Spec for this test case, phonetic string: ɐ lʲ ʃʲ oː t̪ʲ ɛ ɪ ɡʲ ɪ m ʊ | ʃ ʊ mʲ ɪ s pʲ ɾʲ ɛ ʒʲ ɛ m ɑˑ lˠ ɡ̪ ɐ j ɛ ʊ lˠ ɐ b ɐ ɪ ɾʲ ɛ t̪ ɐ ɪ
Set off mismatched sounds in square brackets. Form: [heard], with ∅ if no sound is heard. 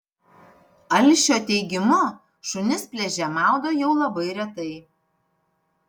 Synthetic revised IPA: ɐ lʲ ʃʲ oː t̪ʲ ɛ ɪ ɡʲ ɪ m ʊ | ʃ ʊ [nʲ] ɪ s pʲ [lʲ] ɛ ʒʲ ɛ m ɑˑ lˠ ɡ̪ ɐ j ɛ ʊ lˠ ɐ b ɐ ɪ ɾʲ ɛ t̪ ɐ ɪ